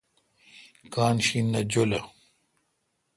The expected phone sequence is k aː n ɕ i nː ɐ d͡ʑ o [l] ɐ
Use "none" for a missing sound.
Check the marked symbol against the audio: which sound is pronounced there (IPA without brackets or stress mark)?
l